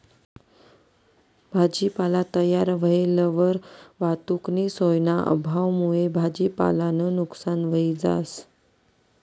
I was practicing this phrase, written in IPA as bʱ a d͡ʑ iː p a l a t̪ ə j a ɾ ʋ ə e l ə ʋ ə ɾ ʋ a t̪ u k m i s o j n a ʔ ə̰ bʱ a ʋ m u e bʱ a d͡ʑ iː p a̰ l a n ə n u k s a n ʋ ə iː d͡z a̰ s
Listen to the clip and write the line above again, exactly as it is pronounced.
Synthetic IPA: bʱ a d͡ʑ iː p a l a t̪ ə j a ɾ ʋ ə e l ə ʋ ə ɾ ʋ a t̪ u k n i s o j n a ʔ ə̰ bʱ a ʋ m u e bʱ a d͡ʑ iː p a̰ l a n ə n u k s a n ʋ ə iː d͡z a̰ s